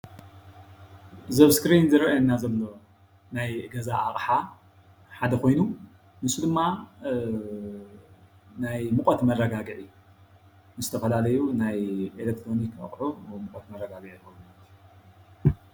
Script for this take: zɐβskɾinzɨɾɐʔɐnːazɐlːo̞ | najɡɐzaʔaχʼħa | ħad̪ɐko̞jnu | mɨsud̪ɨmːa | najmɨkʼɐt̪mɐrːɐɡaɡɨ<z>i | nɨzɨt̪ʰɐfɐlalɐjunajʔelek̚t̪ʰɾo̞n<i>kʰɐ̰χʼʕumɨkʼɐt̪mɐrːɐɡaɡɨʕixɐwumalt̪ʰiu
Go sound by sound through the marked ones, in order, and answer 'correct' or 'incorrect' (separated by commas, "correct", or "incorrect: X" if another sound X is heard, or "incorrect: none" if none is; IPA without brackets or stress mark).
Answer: incorrect: ʕ, correct